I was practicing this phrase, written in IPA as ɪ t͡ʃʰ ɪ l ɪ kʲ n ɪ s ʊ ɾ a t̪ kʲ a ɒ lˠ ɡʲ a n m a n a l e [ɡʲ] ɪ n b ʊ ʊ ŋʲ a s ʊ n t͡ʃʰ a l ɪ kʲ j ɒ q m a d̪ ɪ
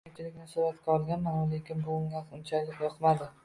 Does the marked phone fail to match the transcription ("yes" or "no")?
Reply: yes